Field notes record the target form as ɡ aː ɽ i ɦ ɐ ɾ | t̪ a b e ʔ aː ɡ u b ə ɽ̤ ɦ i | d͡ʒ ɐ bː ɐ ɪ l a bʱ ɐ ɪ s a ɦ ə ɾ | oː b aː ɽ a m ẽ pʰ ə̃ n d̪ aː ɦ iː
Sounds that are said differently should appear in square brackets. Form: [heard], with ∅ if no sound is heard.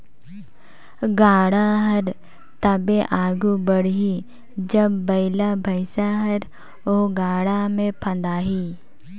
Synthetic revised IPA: ɡ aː ɽ [a] ɦ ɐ ɾ | t̪ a b e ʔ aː ɡ u b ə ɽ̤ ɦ i | d͡ʒ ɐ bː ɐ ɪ l a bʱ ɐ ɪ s a ɦ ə ɾ | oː [ɡ] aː ɽ a m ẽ pʰ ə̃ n d̪ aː ɦ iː